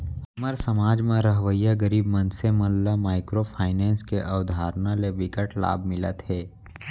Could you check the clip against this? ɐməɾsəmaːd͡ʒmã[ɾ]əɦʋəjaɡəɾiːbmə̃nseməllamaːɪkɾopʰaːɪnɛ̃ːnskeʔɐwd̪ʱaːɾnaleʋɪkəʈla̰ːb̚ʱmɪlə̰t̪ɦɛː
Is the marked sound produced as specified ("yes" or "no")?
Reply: yes